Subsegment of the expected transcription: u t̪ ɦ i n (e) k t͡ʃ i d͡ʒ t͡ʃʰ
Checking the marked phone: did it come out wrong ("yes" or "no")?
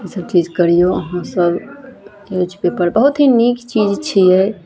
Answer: yes